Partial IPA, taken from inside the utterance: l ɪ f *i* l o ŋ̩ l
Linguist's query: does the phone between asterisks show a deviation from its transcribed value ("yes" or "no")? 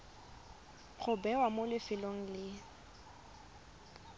yes